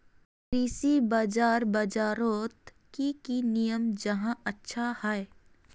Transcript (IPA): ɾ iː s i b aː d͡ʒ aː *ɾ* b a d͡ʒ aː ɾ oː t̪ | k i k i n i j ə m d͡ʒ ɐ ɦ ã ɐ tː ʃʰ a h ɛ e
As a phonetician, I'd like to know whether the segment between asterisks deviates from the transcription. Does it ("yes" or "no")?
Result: no